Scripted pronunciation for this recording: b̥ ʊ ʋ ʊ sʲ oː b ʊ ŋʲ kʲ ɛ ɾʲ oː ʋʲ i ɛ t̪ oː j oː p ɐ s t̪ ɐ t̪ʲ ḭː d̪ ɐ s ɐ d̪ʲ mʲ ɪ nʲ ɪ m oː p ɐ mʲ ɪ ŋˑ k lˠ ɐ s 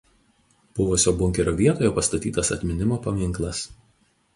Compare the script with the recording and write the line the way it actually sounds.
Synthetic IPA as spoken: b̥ ʊ ʋ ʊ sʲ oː b ʊ ŋʲ kʲ ɛ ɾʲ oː ʋʲ i ɛ t̪ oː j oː p ɐ s t̪ ɐ t̪ʲ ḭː t̪ ɐ s ɐ t̪ʲ mʲ ɪ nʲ ɪ m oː p ɐ mʲ ɪ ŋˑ k lˠ ɐ s